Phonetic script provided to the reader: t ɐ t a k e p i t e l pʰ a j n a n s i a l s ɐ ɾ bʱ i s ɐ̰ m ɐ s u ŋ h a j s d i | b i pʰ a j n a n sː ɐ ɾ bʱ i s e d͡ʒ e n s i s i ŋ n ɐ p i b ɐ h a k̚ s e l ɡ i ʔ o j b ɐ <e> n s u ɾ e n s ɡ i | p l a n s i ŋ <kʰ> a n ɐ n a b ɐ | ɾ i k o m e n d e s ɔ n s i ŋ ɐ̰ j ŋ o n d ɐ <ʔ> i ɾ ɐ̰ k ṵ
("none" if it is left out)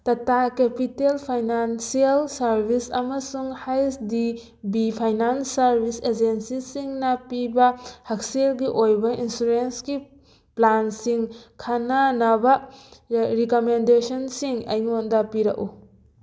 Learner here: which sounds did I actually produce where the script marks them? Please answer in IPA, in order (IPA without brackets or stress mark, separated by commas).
i, kʰ, p